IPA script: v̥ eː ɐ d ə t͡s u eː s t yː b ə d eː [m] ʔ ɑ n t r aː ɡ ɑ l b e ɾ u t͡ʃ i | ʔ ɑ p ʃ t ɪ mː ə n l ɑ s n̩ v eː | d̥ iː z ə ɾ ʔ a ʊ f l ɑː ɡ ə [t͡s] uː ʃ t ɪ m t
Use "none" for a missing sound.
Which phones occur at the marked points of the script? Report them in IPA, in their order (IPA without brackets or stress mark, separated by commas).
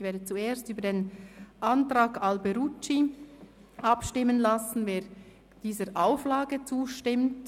n, t͡s